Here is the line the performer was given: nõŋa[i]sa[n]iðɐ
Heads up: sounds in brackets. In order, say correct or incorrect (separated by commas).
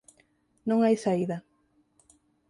incorrect, incorrect